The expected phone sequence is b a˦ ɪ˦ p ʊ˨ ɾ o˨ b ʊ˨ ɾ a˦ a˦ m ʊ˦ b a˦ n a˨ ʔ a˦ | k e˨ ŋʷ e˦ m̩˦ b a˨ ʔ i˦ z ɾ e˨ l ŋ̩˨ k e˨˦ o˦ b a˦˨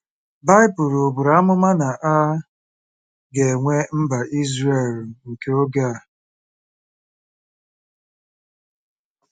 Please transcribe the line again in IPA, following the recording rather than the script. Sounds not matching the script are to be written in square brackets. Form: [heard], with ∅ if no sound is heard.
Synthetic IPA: b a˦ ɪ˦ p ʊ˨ ɾ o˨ b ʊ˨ ɾ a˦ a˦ m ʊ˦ [m] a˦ n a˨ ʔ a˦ | [ɡ] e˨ ŋʷ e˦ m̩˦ b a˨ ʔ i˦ z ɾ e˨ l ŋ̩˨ k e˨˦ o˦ [ɡ] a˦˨